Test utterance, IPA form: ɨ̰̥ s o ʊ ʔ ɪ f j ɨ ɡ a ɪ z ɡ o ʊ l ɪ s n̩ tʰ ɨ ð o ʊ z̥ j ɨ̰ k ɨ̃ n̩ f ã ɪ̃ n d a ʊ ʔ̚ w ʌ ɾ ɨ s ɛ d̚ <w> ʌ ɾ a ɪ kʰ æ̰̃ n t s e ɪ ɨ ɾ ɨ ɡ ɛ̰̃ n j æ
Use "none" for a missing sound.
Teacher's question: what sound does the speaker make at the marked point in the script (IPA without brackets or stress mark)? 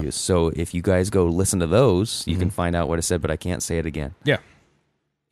b